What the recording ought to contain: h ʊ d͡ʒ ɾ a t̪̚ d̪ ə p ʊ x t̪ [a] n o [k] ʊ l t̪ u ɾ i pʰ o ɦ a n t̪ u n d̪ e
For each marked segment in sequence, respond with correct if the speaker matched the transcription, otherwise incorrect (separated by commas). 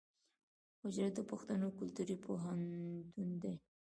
correct, correct